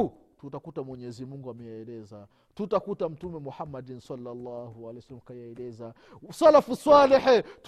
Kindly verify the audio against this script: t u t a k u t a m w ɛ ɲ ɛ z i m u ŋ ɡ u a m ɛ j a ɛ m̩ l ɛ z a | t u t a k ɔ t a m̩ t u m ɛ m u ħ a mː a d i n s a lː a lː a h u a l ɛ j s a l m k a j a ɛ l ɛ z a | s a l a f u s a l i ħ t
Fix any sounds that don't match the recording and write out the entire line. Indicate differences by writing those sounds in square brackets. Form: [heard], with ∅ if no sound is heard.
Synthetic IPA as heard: t u t a k u t a m w ɛ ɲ ɛ z i m u ŋ ɡ u a m ɛ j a ɛ [∅] l ɛ z a | t u t a k [u] t a m̩ t u m ɛ m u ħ a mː a d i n s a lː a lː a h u a l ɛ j s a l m k a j a ɛ l ɛ z a | s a l a f u s a l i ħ t